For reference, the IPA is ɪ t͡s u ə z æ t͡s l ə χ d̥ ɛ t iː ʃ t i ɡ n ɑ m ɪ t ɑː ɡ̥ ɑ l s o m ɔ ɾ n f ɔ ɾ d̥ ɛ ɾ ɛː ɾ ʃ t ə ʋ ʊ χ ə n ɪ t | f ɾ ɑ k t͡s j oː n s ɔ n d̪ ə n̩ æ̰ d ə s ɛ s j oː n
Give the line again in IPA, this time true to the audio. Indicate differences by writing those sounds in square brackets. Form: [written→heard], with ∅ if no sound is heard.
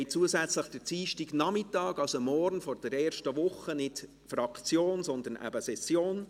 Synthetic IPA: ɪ t͡s u ə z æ t͡s l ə χ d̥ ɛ [t→t͡s] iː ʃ t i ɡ n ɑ m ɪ t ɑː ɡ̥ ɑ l s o m ɔ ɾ n f ɔ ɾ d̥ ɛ ɾ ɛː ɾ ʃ t ə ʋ ʊ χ ə n ɪ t | f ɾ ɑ k t͡s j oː n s ɔ n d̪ ə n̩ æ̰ [d→b] ə s ɛ s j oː n